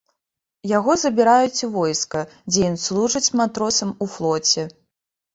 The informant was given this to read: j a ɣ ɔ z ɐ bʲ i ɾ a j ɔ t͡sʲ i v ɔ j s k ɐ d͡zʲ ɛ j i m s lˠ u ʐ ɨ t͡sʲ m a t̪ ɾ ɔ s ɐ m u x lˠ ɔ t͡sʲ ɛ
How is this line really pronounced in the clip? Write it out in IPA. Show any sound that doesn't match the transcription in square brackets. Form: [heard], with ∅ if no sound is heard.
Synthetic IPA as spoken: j a ɣ ɔ z ɐ bʲ i ɾ a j [u] t͡sʲ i v ɔ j s k ɐ d͡zʲ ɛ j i [n] s lˠ u ʐ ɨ t͡sʲ m a t̪ ɾ ɔ s ɐ m u [f] lˠ ɔ t͡sʲ ɛ